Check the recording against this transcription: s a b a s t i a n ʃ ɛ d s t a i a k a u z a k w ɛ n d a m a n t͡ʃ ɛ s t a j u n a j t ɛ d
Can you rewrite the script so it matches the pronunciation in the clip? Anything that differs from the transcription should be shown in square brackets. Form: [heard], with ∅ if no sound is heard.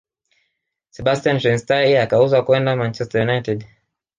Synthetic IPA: s [ɛ] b a s t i a n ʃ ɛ [n] s t a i a k a u z a k w ɛ n d a m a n t͡ʃ ɛ s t a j u n a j t ɛ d